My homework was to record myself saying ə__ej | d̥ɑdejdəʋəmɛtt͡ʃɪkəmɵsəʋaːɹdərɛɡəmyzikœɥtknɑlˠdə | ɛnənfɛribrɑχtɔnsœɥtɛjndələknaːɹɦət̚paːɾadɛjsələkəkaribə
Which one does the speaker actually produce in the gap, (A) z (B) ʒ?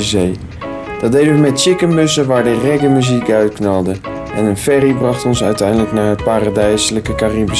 A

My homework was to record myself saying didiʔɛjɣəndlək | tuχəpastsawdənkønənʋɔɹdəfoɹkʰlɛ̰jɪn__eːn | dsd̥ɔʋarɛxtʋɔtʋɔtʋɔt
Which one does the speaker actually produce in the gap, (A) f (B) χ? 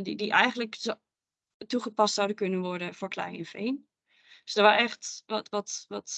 A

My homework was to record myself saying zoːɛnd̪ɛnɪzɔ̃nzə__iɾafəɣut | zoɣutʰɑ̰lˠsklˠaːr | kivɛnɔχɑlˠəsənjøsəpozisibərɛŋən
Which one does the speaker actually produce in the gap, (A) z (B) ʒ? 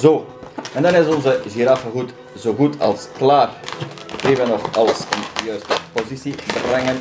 B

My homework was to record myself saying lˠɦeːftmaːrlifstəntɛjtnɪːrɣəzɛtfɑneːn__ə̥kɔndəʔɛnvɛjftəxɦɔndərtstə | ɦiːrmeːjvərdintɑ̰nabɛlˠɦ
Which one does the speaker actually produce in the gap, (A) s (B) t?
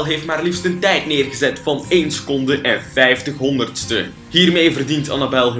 A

